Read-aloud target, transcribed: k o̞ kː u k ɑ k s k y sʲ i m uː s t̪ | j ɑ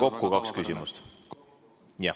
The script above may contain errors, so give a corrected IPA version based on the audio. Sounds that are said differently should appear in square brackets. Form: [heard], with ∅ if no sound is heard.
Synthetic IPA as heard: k o̞ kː u k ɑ k s k y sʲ i m [u] s t̪ | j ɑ